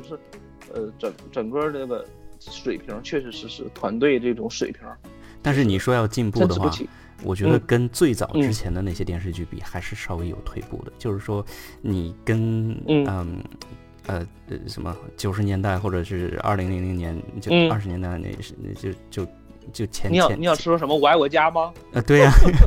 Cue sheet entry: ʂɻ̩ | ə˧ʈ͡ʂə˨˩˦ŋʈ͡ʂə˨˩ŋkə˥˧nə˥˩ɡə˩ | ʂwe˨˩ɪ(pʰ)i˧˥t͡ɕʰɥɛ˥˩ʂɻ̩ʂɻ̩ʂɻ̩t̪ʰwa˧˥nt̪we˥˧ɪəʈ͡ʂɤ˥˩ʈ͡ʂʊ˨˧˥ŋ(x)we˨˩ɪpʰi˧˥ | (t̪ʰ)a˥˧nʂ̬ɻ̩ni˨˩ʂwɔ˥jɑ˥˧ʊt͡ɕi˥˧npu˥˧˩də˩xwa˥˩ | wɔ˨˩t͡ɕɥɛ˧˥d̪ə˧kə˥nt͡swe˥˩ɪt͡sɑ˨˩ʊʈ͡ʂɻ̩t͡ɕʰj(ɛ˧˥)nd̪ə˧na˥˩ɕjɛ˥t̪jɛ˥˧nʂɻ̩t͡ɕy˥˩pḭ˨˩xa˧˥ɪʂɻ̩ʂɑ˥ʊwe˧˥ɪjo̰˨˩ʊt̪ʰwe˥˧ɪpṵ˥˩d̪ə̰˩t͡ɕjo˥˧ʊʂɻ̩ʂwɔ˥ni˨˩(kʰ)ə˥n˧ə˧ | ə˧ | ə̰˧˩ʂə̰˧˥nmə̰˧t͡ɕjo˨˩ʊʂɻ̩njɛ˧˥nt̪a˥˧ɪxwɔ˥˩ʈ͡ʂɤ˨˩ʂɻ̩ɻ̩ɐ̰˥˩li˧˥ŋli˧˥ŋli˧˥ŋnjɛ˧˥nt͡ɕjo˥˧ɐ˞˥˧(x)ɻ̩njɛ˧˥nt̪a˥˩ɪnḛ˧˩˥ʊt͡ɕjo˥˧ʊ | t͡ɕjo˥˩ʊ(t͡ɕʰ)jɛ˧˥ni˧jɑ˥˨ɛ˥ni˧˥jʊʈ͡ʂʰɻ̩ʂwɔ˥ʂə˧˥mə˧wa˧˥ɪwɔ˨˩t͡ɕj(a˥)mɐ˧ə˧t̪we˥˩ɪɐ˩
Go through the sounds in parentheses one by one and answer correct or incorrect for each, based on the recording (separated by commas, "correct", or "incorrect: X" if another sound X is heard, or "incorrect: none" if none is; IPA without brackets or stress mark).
correct, incorrect: ʂ, incorrect: t̪, correct, incorrect: k, incorrect: ʂ, correct, correct